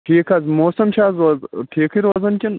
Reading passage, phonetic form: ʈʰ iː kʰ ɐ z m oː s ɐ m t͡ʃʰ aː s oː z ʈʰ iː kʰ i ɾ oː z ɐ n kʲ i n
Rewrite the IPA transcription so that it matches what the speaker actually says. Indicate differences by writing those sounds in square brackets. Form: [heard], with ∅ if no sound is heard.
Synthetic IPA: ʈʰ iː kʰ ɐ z m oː s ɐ m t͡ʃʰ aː [z] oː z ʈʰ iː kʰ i ɾ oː z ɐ n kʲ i n